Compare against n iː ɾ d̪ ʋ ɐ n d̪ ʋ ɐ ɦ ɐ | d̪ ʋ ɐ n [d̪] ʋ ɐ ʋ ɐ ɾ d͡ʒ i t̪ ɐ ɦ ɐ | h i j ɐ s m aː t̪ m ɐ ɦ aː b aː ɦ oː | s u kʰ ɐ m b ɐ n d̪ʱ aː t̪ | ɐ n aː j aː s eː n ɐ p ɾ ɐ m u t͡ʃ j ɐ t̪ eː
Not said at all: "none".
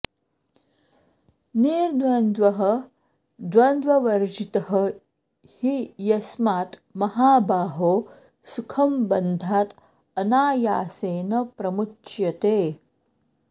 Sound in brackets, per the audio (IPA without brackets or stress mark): d̪